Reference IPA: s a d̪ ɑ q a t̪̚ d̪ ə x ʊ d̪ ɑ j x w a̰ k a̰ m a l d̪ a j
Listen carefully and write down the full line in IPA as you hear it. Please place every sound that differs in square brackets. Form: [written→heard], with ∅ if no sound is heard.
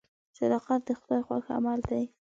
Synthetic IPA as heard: s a d̪ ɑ q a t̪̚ d̪ ə x ʊ d̪ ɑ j x w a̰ [k→x] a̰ m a l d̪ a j